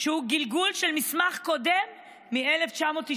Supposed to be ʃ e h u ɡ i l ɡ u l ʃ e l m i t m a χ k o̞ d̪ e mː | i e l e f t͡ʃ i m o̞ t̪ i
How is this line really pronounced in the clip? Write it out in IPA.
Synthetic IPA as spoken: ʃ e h u ɡ i l ɡ u l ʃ e l m i s m a χ k o̞ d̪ e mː | i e l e f t͡ʃ a m o̞ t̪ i